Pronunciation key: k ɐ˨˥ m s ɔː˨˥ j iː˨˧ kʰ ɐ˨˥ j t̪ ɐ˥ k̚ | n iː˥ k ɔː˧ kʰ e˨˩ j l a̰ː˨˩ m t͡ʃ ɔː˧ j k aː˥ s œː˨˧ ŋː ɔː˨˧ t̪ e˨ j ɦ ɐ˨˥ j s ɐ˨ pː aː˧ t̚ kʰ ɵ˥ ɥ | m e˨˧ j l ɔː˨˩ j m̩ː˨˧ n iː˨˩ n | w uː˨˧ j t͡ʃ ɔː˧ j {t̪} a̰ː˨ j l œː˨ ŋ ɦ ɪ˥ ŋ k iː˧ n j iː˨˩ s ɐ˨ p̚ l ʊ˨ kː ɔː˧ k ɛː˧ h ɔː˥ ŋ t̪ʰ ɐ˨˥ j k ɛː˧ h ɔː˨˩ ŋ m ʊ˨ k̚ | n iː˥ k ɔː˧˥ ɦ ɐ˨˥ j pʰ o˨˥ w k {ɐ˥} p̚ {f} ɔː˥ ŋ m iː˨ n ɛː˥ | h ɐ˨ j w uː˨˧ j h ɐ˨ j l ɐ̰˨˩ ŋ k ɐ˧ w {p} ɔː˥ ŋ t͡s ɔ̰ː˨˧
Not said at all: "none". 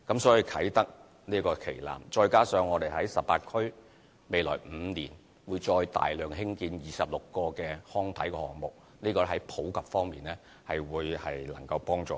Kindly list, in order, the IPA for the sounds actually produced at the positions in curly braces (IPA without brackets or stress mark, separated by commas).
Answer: t̪, ɐ˨, f, p